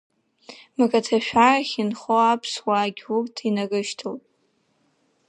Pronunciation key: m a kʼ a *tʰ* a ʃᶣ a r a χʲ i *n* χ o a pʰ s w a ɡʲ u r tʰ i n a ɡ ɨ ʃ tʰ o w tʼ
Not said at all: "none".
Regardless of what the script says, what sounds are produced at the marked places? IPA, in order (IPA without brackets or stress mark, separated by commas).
tʰ, n